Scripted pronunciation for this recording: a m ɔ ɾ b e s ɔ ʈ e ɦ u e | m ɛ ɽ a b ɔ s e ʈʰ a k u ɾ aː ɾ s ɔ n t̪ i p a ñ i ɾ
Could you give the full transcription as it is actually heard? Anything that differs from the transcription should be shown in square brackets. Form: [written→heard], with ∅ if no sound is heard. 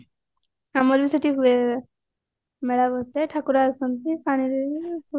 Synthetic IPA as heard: a m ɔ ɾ b [e→i] s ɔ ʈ [e→i] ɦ u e | m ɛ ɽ a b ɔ s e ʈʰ a k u ɾ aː [ɾ→∅] s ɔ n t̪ i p a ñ i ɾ